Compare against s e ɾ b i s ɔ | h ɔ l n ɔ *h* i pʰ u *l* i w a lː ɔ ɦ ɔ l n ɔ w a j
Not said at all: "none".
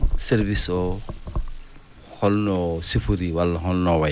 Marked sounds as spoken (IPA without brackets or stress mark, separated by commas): s, ɾ